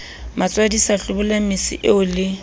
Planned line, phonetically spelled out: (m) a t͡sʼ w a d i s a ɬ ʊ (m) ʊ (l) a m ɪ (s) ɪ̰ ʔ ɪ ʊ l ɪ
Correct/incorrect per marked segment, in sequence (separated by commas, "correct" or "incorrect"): correct, incorrect, correct, correct